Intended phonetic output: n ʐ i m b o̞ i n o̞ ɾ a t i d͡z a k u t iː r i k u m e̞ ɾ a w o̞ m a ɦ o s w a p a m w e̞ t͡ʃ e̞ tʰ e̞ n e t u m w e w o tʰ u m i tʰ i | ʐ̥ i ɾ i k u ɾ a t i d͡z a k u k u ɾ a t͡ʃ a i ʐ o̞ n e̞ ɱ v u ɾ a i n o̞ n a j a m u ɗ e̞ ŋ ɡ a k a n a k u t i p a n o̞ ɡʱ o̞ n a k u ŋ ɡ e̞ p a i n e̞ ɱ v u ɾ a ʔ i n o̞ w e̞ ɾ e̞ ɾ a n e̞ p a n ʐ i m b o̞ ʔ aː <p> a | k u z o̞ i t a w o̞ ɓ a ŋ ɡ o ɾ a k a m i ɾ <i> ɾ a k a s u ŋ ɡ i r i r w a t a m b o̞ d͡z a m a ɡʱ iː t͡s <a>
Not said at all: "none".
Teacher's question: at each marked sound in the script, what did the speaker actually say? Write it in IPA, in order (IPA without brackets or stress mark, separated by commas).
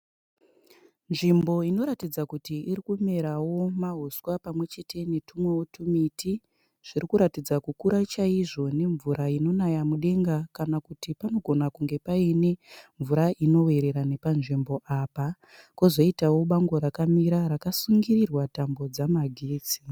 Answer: p, a, i